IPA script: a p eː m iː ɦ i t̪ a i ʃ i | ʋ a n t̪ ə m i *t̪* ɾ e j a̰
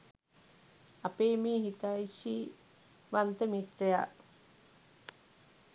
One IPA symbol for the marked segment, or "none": t̪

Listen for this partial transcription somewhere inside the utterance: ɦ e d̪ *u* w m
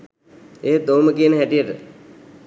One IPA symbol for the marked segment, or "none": o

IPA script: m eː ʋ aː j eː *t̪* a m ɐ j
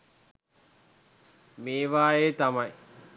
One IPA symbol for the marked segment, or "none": t̪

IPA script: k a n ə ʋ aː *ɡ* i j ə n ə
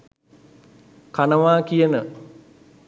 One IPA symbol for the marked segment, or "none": k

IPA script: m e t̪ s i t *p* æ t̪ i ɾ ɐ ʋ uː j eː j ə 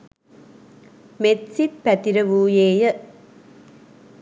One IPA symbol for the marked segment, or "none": p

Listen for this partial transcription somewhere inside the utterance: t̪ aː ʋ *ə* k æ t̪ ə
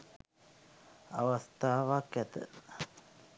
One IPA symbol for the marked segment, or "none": a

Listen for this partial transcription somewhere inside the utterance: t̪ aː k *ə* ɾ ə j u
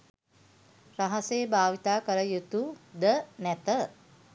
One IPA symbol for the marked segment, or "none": ə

